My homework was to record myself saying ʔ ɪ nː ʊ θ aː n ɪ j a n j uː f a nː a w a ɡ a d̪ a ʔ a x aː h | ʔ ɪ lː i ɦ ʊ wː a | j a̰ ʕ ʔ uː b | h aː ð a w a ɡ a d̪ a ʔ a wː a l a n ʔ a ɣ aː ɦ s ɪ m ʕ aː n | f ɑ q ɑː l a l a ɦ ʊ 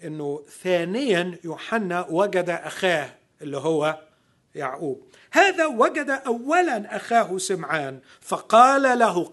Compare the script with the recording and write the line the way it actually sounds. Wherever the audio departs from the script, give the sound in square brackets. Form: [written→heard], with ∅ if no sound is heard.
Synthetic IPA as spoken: ʔ ɪ nː ʊ θ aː n ɪ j a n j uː [f→ħ] a nː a w a ɡ a d̪ a ʔ a x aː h | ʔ ɪ lː i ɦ ʊ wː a | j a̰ ʕ ʔ uː b | h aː ð a w a ɡ a d̪ a ʔ a wː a l a n ʔ a [ɣ→x] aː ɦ s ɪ m ʕ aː n | f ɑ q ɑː l a l a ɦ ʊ